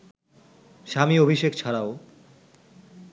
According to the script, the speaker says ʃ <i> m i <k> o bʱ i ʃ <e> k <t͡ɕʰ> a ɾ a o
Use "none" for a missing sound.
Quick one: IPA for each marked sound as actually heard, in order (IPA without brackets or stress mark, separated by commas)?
a, none, e, t͡ɕʰ